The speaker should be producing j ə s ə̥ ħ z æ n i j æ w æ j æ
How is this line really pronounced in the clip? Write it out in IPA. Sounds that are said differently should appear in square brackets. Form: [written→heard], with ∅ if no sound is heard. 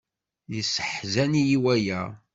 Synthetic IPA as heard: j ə s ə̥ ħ z æ n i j [æ→i] w æ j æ